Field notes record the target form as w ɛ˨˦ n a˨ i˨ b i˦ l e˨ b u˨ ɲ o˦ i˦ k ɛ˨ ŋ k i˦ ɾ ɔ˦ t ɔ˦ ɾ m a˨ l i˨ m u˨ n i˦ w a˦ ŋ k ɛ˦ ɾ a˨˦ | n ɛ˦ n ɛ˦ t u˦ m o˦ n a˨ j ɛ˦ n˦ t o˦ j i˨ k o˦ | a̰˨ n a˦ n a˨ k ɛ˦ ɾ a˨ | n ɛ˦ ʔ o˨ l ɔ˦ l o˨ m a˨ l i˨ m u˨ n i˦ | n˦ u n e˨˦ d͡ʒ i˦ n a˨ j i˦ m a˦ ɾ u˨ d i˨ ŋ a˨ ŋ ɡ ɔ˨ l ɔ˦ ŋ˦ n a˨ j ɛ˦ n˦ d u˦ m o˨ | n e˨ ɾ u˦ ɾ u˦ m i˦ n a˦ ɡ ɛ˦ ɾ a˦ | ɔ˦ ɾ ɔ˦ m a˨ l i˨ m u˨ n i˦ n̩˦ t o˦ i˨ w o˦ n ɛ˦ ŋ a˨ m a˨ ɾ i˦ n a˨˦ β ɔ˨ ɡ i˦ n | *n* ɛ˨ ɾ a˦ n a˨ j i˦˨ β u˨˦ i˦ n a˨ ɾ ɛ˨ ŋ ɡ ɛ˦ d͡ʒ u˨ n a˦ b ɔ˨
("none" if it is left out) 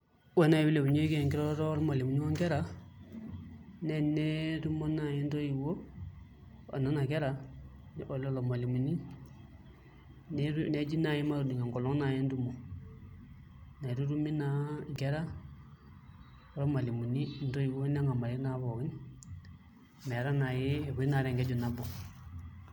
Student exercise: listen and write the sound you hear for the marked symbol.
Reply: m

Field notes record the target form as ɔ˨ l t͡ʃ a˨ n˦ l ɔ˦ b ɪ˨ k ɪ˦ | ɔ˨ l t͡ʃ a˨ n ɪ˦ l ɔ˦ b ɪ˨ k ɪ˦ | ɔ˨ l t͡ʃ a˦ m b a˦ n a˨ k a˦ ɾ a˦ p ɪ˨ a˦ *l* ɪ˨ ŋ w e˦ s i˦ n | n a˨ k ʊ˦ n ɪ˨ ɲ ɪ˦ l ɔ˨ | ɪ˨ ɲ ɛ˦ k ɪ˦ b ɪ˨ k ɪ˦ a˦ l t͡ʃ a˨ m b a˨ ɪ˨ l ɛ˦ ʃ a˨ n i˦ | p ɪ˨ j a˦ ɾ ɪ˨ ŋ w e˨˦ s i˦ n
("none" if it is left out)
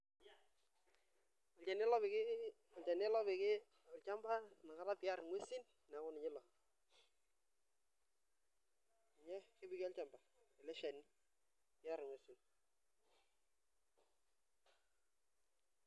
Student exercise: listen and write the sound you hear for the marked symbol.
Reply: ɾ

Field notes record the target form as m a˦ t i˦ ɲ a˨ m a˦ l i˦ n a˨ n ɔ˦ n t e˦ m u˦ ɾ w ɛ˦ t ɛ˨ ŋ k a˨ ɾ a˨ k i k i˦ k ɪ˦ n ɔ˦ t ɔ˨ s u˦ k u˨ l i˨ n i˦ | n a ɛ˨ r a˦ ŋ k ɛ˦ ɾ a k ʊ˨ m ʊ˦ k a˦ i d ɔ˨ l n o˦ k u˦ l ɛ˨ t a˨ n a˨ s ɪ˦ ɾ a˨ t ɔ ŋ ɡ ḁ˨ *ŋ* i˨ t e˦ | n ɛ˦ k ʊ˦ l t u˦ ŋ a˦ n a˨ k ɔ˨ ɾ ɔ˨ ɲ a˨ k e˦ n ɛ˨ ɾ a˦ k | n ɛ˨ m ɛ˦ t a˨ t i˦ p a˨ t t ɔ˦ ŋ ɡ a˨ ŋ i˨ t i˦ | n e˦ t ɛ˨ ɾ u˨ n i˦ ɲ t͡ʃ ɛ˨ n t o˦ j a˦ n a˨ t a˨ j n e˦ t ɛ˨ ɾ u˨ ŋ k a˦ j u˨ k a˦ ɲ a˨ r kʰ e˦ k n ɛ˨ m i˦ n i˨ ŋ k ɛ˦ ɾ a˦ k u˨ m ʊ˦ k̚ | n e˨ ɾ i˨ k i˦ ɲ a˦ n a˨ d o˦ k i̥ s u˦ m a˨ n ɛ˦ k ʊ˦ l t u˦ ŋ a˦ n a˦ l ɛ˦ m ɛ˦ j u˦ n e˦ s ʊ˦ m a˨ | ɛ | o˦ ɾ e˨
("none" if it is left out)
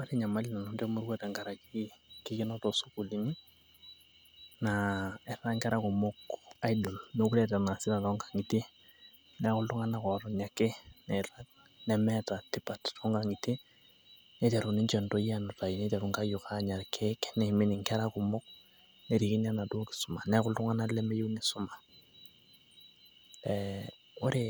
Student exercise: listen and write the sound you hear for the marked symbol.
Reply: ŋ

